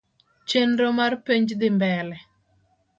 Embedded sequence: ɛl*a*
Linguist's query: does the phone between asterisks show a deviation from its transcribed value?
yes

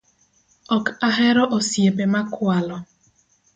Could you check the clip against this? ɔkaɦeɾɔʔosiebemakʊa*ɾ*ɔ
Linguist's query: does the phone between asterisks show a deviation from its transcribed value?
yes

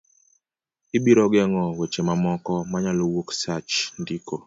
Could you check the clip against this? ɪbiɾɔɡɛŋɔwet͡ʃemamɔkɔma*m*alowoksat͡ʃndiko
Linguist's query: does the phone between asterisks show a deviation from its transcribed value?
yes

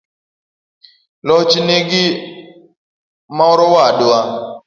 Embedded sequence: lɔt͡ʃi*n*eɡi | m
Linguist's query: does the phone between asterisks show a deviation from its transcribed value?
no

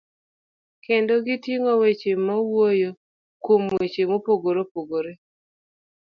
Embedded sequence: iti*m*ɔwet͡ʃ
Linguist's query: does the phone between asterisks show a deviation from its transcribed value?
yes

